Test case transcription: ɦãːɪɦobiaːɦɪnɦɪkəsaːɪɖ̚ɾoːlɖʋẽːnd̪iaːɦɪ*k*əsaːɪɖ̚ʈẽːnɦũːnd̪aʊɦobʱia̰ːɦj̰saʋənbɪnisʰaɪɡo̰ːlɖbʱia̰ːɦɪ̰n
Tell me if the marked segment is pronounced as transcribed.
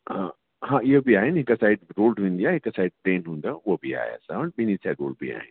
yes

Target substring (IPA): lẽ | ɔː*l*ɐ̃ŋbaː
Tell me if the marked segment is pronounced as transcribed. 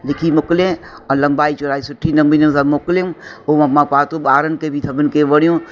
yes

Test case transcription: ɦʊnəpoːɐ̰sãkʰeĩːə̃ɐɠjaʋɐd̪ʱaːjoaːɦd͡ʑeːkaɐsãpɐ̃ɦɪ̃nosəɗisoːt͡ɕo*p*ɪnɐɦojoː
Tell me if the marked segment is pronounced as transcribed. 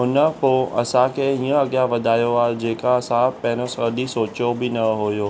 no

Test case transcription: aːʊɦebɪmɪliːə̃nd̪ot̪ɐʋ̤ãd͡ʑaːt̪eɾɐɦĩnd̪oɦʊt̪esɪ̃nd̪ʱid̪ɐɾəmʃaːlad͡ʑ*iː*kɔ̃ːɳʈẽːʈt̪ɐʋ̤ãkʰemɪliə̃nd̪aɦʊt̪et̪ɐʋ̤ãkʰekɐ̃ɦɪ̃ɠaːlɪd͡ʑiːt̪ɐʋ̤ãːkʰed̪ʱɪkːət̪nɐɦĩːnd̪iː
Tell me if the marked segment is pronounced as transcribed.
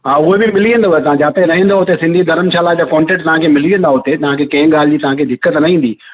no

